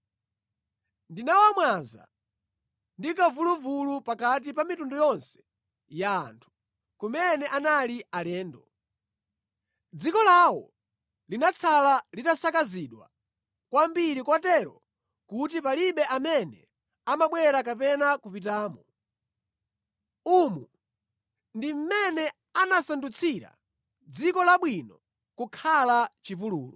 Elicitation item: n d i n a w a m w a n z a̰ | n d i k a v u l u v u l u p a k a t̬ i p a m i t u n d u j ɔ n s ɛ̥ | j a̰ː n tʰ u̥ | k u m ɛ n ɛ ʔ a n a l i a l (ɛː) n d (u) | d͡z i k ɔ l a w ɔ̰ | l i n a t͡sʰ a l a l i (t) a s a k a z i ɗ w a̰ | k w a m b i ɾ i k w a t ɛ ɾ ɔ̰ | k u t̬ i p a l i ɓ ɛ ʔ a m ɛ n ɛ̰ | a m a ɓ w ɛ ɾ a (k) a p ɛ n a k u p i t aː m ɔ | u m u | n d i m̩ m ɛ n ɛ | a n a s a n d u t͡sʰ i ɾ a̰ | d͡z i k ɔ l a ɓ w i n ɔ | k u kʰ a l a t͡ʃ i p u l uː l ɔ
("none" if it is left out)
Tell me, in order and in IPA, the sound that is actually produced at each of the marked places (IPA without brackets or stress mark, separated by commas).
ɛː, ɔ, t, k